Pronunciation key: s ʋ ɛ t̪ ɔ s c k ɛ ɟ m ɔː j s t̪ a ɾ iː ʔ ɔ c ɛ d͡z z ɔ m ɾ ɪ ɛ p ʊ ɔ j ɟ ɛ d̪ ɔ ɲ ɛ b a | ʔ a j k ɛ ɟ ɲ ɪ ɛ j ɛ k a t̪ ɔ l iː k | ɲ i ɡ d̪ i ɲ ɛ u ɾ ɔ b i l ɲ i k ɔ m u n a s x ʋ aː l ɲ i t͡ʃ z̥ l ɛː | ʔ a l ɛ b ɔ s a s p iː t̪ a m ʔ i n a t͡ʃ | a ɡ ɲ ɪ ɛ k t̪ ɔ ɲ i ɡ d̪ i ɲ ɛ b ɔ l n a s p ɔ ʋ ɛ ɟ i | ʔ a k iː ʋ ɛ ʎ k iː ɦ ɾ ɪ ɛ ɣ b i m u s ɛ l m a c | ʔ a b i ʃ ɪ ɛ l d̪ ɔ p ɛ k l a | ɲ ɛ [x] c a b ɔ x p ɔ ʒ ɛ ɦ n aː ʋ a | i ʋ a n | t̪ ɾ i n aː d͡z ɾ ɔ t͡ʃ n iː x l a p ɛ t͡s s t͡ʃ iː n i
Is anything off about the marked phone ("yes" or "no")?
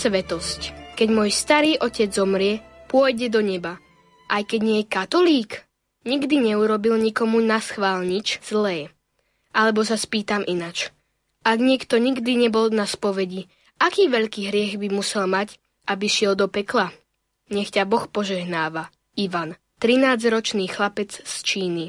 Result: no